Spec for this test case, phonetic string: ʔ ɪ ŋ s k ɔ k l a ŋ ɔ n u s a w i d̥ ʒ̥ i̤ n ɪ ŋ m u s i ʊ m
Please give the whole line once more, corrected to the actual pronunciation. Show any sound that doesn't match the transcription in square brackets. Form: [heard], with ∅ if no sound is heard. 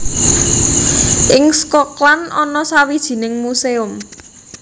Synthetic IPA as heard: ʔ ɪ ŋ s k ɔ k l a [n] ɔ n [ɔ] s a w i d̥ ʒ̥ i̤ n ɪ ŋ m u s [e] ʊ m